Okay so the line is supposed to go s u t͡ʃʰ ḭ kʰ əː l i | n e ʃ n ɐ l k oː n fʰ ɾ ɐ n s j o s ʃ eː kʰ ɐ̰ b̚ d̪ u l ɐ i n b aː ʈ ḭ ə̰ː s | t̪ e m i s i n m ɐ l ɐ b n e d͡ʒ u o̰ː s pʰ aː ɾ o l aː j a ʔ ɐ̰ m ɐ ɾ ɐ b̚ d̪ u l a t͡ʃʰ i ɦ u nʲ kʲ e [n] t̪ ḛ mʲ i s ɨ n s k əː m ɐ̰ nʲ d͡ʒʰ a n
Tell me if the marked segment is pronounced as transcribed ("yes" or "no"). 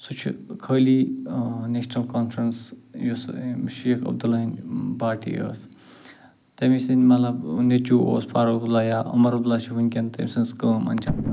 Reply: yes